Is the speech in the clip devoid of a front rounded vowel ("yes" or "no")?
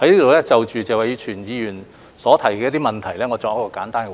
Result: no